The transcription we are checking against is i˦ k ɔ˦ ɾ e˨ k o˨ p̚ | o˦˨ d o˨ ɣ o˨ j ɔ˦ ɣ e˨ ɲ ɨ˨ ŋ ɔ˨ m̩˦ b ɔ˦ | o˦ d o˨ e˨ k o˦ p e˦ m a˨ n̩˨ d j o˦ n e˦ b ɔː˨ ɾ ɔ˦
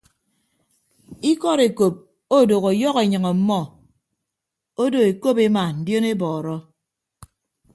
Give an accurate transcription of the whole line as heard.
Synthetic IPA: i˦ k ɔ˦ ɾ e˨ k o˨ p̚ | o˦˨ d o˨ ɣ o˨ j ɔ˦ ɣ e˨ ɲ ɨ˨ ŋ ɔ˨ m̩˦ m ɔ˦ | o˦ d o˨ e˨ k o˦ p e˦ m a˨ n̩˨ d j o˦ n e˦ b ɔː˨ ɾ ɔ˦